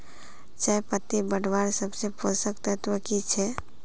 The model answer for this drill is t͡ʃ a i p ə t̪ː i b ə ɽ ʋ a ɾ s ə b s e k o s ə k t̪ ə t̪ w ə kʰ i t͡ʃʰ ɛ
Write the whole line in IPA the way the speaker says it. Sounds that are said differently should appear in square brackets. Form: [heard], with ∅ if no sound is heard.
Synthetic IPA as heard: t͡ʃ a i p ə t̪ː i b ə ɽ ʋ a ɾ s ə b s e [p] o s ə k t̪ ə t̪ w ə [k] i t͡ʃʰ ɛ